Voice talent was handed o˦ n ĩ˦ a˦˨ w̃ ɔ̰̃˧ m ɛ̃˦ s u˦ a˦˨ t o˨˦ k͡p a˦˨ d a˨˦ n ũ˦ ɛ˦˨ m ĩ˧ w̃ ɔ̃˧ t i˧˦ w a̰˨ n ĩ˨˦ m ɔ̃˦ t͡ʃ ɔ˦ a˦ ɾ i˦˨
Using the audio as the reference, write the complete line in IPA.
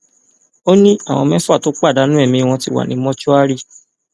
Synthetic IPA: o˦ n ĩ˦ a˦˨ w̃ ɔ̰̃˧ m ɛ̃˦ f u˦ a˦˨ t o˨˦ k͡p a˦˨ d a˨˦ n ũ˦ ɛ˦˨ m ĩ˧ w̃ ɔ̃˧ t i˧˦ w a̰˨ n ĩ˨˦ m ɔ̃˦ t͡ʃ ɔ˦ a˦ ɾ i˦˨